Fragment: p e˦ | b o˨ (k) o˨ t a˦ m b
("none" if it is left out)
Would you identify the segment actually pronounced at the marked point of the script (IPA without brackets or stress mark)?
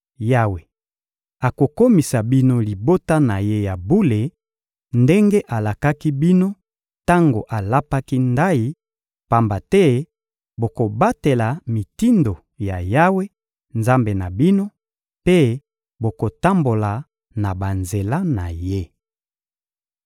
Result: k